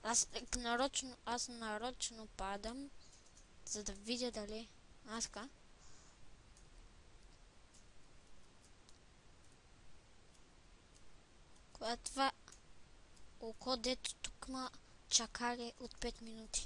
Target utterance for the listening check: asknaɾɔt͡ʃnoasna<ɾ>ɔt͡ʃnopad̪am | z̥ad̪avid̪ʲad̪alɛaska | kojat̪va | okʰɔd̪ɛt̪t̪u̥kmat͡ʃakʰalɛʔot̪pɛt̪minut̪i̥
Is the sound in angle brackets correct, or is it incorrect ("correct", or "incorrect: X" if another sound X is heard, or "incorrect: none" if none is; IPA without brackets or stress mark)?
correct